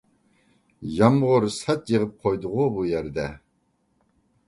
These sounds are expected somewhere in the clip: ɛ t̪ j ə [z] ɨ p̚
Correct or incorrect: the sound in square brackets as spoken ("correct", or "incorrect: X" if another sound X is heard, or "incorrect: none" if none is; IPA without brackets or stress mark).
incorrect: ʁ